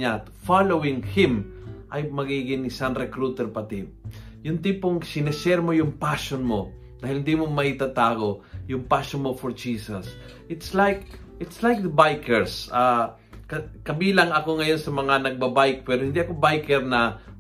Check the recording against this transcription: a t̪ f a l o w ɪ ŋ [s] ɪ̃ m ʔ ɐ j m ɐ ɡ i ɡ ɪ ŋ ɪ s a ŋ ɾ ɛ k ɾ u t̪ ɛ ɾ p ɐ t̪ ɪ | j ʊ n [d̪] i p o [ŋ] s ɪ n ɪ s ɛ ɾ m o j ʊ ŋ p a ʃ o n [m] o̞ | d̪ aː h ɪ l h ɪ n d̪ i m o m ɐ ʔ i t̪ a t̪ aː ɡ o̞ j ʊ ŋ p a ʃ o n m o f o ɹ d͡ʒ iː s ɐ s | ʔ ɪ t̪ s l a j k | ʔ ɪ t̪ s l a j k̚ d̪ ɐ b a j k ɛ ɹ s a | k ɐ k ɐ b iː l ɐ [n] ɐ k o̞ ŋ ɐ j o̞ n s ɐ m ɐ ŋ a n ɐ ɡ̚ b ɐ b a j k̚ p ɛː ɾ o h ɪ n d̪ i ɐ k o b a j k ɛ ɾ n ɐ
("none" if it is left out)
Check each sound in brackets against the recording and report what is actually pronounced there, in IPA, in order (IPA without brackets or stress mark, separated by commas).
h, t̪, ŋ, m, ŋ